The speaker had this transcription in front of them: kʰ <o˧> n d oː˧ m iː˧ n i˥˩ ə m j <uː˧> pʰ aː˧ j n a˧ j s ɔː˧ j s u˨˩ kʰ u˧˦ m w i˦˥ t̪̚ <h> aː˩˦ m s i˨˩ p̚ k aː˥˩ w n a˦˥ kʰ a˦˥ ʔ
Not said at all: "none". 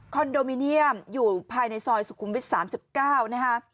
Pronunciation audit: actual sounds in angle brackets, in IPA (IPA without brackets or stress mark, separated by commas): ɔ˧, uː˨˩, s